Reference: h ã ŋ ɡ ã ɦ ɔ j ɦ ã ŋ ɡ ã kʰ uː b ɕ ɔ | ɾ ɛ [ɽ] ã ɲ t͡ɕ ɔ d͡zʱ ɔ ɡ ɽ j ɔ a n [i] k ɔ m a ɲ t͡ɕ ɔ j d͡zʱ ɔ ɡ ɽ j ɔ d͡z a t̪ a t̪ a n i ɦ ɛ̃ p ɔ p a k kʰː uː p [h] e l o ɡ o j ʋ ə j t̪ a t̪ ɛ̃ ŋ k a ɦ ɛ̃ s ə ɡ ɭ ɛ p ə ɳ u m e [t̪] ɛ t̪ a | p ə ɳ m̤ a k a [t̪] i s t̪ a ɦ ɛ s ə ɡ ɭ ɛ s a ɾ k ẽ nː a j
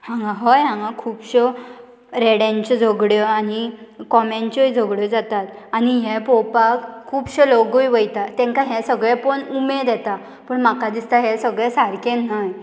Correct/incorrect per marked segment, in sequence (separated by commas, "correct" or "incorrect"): correct, correct, incorrect, incorrect, incorrect